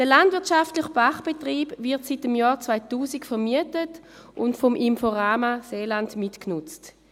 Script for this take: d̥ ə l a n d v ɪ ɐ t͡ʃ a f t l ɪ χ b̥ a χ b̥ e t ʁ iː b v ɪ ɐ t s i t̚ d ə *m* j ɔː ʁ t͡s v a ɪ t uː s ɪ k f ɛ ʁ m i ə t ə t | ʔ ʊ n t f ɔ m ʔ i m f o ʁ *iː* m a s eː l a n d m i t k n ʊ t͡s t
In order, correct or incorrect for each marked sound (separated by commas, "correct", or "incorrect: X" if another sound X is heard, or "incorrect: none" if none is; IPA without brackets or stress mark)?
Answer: correct, incorrect: aː